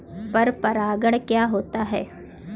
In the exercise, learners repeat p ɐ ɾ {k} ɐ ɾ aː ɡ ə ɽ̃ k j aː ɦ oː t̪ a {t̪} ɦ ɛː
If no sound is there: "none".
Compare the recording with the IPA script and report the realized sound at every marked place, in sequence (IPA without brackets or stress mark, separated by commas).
p, none